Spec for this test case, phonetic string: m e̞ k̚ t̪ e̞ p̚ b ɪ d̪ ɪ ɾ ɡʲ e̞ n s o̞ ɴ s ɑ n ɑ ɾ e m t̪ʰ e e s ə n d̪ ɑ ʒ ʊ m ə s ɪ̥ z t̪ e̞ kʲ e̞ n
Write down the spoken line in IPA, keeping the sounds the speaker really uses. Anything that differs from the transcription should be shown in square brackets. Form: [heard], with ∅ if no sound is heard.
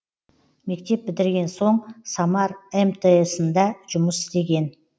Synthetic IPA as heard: m e̞ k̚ t̪ e̞ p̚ b ɪ d̪ ɪ ɾ ɡʲ e̞ n s o̞ ɴ s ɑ [m] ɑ ɾ e m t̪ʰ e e s ə n d̪ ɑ ʒ ʊ m ə s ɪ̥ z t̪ e̞ [ɡʲ] e̞ n